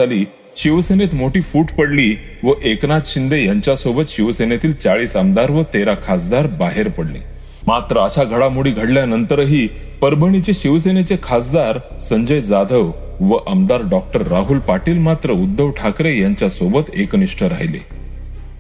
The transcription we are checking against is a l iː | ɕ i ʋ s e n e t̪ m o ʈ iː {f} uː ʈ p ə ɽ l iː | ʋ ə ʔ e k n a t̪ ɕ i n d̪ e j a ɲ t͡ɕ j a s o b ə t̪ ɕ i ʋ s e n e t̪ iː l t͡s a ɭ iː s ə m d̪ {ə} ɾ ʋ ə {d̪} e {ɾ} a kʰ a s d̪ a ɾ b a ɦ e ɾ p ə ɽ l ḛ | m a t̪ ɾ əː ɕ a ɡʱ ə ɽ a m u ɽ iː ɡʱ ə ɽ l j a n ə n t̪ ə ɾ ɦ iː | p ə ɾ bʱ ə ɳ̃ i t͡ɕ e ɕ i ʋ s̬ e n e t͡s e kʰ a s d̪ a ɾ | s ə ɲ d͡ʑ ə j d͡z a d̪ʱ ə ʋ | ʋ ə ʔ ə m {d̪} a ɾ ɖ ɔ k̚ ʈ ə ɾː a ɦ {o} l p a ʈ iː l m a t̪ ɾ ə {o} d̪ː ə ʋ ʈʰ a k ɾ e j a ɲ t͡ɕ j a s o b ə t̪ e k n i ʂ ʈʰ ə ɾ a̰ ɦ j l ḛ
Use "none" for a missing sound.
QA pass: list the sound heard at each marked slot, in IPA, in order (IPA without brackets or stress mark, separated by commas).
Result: f, a, t̪, ɾ, d̪, u, u